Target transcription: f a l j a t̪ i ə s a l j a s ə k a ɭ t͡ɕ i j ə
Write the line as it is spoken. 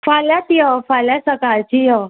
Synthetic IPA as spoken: f a l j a t̪ i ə f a l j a s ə k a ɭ t͡ɕ i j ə